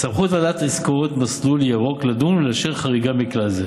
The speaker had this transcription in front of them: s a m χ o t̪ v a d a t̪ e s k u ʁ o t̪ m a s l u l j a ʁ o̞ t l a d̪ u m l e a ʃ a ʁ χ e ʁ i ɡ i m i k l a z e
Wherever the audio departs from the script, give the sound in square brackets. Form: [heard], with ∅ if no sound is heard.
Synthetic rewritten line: s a m χ [u] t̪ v a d a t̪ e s k [o] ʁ o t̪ m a s l u l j a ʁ o̞ [k] l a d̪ u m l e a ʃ [e] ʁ χ [a] ʁ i ɡ [a] m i k l a z e